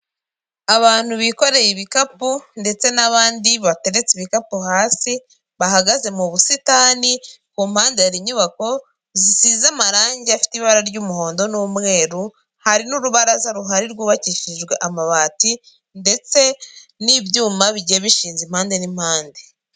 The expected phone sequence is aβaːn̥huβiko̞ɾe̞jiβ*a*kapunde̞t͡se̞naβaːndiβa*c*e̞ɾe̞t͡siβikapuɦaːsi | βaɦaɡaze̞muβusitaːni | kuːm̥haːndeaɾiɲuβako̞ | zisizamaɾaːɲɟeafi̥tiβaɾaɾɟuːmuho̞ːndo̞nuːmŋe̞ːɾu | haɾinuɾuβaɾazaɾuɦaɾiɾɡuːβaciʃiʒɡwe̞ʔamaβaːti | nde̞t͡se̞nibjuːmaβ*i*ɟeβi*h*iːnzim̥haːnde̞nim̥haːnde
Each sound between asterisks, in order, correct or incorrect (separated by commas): incorrect, incorrect, correct, incorrect